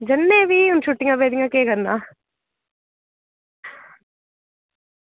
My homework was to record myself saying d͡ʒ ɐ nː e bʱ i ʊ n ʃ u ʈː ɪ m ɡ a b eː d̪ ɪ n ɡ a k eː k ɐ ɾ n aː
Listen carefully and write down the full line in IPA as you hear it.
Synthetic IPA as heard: d͡ʒ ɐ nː e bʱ i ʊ n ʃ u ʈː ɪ ŋ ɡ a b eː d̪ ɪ ŋ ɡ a k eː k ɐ ɾ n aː